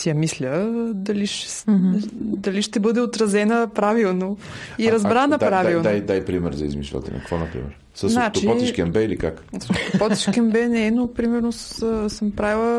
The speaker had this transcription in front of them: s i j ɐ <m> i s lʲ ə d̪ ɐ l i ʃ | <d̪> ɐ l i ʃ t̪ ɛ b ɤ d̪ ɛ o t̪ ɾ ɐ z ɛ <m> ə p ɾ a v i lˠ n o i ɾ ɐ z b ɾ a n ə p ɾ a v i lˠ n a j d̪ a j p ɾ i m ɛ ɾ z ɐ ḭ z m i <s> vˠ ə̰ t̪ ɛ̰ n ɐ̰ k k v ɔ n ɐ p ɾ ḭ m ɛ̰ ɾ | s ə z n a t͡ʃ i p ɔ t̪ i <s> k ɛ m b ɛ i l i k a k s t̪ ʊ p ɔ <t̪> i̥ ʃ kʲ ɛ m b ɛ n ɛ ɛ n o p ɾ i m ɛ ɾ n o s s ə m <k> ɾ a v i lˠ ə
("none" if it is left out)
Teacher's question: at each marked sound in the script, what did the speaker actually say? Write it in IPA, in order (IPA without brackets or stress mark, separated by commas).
m, d̪, n, ʃ, ʃ, t̪, p